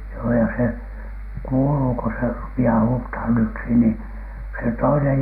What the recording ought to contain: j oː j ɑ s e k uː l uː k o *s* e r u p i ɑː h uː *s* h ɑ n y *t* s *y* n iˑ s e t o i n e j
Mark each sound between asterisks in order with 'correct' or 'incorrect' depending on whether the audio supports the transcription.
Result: correct, incorrect: t, incorrect: k, incorrect: i

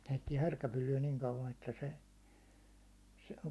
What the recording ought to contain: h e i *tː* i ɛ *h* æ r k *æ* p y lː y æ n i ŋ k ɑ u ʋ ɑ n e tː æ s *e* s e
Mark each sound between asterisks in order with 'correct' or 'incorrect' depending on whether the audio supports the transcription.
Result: correct, correct, correct, correct

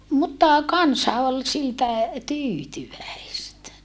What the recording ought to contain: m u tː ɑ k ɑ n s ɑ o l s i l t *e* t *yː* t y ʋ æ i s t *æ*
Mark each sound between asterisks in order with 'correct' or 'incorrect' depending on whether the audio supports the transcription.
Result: incorrect: æ, correct, correct

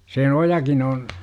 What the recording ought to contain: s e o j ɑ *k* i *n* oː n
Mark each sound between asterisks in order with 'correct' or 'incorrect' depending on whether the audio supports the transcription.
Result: correct, correct

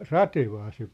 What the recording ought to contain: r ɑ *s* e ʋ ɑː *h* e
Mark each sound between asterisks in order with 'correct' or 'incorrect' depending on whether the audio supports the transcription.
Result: incorrect: t, incorrect: s

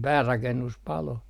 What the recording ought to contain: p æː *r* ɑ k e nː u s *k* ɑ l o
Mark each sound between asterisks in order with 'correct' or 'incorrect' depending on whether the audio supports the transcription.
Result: correct, incorrect: p

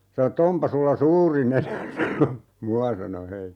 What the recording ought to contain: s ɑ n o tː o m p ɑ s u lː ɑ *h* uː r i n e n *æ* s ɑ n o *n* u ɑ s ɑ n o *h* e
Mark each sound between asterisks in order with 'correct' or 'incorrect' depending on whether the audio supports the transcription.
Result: incorrect: s, correct, incorrect: m, correct

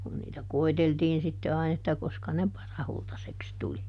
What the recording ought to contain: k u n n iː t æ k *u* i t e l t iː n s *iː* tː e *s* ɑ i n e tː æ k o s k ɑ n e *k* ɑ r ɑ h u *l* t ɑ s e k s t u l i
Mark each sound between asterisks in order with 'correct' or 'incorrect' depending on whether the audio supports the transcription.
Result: incorrect: o, incorrect: i, incorrect: none, incorrect: p, correct

